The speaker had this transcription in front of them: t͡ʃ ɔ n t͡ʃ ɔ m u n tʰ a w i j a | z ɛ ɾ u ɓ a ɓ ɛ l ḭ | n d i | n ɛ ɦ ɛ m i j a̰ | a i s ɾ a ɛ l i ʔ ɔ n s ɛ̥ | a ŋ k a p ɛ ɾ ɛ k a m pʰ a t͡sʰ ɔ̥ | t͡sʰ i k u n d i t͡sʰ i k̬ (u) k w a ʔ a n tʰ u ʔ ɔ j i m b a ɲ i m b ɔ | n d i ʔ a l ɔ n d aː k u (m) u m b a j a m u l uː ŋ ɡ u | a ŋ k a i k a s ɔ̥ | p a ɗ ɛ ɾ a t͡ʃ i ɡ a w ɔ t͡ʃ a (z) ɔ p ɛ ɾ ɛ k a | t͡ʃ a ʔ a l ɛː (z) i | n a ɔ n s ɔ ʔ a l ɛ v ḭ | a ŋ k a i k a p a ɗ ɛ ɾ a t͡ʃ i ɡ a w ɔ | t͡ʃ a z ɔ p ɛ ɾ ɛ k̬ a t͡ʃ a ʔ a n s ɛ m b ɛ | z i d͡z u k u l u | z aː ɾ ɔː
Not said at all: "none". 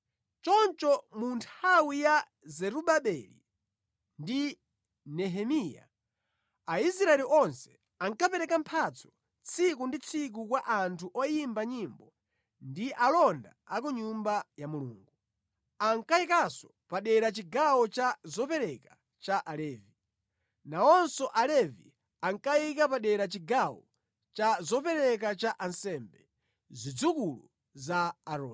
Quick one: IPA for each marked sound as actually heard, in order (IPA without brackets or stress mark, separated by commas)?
u, ɲ, z, v